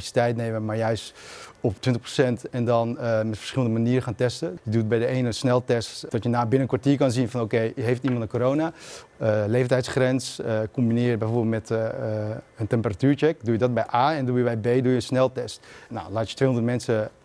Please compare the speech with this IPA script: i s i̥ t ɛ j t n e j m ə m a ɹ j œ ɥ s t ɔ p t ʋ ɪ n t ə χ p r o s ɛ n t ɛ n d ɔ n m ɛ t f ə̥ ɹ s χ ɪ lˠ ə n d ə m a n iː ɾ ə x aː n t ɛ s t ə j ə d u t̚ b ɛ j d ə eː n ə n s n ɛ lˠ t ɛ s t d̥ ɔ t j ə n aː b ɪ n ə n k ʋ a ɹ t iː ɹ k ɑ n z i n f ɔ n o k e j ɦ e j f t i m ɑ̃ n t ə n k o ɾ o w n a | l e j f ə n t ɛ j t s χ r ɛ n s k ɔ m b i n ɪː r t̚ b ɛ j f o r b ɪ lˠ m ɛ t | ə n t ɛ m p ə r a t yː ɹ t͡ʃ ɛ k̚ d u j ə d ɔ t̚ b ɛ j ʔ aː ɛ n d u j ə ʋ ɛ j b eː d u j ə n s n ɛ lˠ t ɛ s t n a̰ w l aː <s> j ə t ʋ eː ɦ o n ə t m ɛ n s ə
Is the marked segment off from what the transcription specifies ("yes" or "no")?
yes